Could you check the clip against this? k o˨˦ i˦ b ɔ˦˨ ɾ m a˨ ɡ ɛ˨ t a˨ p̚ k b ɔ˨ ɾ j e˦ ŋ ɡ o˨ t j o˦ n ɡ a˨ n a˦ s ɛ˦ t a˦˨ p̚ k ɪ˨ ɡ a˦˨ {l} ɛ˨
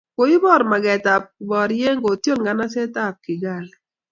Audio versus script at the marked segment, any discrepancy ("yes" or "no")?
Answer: no